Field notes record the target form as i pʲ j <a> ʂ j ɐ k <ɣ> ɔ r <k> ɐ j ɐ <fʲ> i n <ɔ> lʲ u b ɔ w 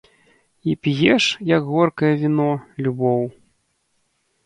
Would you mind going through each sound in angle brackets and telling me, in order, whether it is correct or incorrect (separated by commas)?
incorrect, correct, correct, incorrect, correct